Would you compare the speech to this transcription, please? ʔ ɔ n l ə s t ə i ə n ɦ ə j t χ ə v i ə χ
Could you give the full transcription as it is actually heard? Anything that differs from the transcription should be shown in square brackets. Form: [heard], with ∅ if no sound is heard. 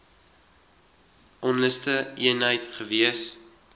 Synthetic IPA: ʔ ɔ n l ə s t ə i ə n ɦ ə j t χ ə v i ə [s]